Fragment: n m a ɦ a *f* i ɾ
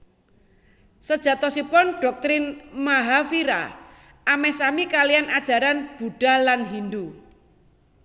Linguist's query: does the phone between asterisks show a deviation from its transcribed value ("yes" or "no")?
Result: no